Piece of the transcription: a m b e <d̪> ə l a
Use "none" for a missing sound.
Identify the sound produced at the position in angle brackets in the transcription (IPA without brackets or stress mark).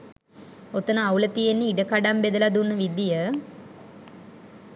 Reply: d̪